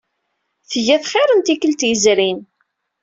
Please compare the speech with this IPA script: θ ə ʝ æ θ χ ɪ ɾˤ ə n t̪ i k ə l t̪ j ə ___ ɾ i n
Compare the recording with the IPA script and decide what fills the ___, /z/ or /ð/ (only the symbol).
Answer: z